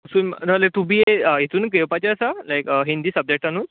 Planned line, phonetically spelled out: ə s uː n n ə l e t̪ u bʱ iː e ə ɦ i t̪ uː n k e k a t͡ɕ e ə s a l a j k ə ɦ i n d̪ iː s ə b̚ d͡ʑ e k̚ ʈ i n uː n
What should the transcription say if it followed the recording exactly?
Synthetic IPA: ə s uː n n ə l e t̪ u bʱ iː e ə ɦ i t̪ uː n k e p a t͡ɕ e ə s a l a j k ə ɦ i n d̪ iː s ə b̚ d͡ʑ e k̚ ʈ a n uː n